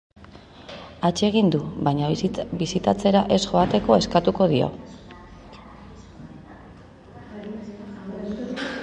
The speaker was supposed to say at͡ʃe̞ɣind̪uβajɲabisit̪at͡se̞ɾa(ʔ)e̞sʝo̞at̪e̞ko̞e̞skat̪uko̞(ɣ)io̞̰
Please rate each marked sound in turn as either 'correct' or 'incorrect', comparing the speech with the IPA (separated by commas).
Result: correct, incorrect